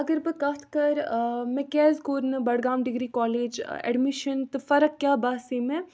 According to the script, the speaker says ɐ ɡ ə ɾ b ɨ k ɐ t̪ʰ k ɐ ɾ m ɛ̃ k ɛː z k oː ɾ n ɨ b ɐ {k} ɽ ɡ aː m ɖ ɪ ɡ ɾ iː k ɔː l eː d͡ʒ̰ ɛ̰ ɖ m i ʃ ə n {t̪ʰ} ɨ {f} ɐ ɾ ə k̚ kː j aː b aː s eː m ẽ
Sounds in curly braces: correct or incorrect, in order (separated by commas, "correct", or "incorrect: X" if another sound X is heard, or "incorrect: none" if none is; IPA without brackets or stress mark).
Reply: incorrect: none, incorrect: t̪, correct